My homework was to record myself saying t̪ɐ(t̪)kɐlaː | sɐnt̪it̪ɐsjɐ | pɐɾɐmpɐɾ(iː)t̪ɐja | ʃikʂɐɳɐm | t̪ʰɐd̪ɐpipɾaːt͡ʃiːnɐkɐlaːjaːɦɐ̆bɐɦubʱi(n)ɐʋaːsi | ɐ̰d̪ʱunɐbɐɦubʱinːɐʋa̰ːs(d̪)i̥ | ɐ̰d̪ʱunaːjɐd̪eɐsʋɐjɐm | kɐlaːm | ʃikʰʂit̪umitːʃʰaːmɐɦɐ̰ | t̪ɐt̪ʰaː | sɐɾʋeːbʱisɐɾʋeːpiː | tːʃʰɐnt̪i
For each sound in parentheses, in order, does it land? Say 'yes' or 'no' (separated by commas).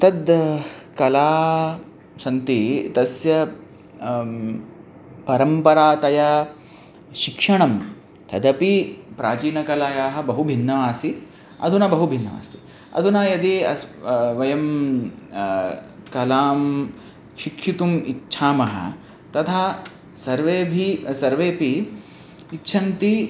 no, no, no, no